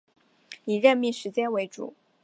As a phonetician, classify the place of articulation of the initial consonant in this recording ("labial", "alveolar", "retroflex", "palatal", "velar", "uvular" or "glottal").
retroflex